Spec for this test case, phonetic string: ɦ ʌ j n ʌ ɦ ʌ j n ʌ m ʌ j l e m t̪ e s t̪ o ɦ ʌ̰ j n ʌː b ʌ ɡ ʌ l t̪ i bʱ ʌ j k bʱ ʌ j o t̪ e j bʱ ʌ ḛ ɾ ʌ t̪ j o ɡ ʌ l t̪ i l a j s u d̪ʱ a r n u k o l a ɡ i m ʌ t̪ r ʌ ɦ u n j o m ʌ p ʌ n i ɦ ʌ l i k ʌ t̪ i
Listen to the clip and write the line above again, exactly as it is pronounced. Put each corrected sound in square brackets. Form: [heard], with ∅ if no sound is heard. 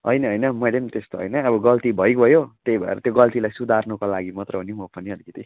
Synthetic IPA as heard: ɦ ʌ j n ʌ ɦ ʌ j n ʌ m ʌ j l e m t̪ e s t̪ o ɦ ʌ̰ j n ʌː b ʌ ɡ ʌ l t̪ i bʱ ʌ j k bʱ ʌ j o t̪ e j bʱ ʌ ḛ ɾ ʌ t̪ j o ɡ ʌ l t̪ i l a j s u d̪ʱ a r n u k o l a ɡ i m ʌ t̪ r ʌ ɦ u n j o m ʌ p ʌ n i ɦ ʌ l i k ʌ t̪ i